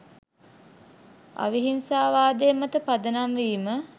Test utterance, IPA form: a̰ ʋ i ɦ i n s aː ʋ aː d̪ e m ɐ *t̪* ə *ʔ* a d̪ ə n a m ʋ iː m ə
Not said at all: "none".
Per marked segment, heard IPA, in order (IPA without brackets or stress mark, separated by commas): t̪, p